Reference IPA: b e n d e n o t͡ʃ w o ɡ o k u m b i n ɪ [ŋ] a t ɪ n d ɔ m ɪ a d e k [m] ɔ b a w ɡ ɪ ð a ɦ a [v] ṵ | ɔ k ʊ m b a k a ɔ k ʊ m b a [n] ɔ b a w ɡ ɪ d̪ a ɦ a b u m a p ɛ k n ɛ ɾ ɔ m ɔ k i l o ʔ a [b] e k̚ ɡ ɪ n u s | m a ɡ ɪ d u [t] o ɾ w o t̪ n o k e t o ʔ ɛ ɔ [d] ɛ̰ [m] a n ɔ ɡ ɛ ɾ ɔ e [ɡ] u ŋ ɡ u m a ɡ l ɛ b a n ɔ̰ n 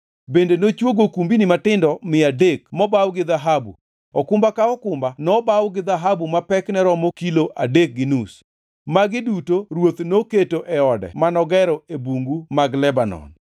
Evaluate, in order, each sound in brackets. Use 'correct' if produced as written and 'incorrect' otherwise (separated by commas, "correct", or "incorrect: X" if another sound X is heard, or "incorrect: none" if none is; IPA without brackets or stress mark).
incorrect: m, correct, incorrect: b, correct, incorrect: d, correct, correct, correct, incorrect: b